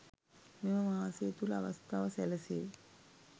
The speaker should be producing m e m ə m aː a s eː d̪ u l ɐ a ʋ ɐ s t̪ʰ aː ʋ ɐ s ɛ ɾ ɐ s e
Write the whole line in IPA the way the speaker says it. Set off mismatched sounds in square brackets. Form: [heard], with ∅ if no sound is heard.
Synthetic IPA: m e m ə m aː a s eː [t̪] u l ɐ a ʋ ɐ s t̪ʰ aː ʋ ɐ s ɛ [l] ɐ s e